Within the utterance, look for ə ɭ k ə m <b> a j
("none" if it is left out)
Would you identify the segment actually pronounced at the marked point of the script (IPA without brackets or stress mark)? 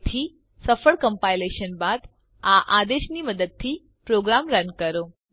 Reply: p